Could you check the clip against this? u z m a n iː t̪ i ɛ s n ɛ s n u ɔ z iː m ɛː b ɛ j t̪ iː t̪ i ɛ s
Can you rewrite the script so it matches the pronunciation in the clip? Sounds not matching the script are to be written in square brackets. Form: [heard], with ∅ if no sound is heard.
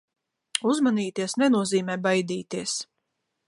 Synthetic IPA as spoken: u z m a n iː t̪ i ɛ s n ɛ [∅] n u ɔ z iː m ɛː b [a] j [d̪] iː t̪ i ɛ s